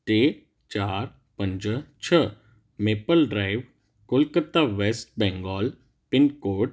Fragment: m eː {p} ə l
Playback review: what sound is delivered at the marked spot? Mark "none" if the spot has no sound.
p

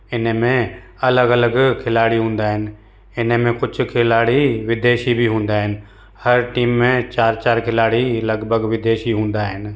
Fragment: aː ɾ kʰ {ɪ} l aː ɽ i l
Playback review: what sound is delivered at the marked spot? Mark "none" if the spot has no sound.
ɪ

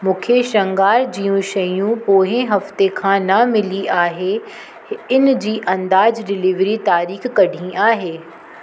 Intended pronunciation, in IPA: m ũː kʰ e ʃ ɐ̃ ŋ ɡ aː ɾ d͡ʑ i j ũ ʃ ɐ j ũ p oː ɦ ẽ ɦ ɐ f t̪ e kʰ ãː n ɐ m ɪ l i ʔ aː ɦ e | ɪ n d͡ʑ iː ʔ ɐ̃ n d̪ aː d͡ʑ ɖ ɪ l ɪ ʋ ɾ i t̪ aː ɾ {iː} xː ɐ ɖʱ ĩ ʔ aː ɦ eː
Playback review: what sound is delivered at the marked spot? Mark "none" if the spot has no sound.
iː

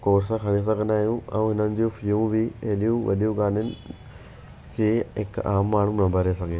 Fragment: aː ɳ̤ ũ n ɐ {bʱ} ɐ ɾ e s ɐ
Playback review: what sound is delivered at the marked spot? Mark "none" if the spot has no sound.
bʱ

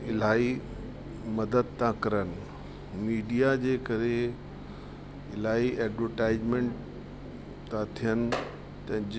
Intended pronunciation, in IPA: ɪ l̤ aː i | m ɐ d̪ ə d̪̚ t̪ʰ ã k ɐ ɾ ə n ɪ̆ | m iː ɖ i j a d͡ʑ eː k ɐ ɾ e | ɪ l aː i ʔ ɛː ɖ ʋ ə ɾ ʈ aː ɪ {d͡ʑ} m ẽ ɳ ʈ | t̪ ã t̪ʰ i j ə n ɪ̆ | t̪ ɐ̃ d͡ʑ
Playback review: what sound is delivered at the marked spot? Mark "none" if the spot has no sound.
d͡ʑ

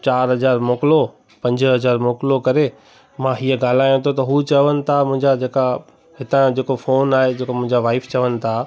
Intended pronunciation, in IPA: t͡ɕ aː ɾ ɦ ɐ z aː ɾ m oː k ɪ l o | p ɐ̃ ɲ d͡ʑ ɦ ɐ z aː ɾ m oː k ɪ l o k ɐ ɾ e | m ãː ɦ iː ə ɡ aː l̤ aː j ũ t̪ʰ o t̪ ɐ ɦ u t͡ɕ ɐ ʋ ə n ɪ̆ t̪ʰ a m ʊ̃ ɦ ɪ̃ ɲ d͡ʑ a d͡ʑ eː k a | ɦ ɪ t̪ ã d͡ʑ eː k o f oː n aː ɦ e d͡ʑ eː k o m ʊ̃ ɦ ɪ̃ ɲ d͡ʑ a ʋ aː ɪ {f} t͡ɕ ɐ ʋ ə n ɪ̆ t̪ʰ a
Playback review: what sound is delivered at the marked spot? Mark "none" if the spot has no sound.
f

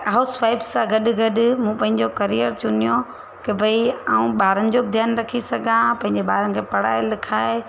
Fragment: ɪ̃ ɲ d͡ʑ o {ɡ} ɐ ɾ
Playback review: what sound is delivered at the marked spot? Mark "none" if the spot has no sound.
k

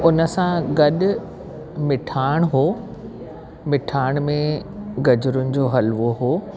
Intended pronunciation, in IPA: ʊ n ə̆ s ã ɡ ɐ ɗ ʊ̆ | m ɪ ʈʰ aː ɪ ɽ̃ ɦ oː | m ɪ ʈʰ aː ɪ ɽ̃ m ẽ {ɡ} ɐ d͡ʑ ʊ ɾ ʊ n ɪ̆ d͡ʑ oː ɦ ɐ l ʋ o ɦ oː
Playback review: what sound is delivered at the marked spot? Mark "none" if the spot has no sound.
ɡ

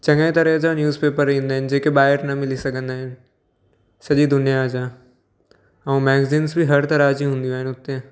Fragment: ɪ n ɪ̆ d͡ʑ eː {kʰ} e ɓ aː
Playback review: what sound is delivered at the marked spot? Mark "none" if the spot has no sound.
k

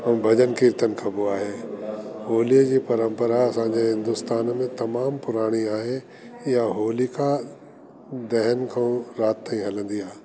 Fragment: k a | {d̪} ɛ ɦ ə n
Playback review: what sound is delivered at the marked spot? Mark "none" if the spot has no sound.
d̪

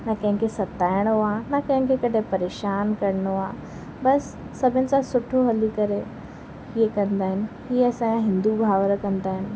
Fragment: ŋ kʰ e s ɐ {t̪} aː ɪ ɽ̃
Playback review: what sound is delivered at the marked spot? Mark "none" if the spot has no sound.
t̪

